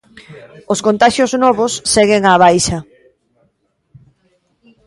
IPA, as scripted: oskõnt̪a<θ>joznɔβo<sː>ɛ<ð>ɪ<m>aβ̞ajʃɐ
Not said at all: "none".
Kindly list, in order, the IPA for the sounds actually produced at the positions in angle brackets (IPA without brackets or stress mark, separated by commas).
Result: ʃ, sː, ɣ, ŋ